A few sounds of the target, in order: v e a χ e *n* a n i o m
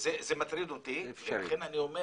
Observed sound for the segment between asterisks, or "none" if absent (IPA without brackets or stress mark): n